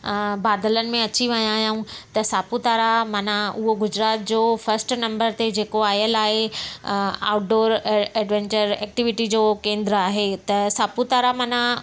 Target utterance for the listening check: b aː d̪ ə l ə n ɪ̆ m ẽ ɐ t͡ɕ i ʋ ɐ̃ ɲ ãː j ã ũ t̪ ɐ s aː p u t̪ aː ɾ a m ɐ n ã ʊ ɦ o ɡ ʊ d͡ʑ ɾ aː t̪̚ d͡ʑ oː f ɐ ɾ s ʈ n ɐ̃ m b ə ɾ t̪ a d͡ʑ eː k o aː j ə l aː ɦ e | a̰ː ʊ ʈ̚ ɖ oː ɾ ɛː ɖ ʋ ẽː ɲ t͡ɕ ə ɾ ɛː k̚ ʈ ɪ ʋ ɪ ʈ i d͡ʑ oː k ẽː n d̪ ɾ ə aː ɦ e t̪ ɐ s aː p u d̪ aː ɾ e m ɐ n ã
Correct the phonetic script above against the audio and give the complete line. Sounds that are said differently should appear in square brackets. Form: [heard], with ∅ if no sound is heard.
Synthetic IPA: b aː d̪ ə l ə n ɪ̆ m ẽ ɐ t͡ɕ i ʋ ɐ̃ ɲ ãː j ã ũ t̪ ɐ s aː p u t̪ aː ɾ a m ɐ n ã ʊ ɦ o ɡ ʊ d͡ʑ ɾ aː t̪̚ d͡ʑ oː f ɐ ɾ s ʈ n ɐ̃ m b ə ɾ t̪ [e] d͡ʑ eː k o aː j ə l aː ɦ e | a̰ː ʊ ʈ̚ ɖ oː ɾ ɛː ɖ ʋ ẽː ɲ t͡ɕ ə ɾ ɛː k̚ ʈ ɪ ʋ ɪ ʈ i d͡ʑ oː k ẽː n d̪ ɾ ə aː ɦ e t̪ ɐ s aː p u [t̪] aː ɾ [a] m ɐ n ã